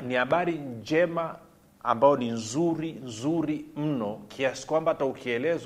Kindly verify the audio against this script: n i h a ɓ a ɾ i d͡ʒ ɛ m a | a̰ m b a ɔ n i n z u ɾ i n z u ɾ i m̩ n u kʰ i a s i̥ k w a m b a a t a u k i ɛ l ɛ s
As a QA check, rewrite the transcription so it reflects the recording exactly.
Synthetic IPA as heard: n i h a ɓ a ɾ i d͡ʒ ɛ m a | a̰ m b a ɔ n i n z u ɾ i n z u ɾ i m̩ n ɔ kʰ i a s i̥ k w a m b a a t a u k i ɛ l ɛ z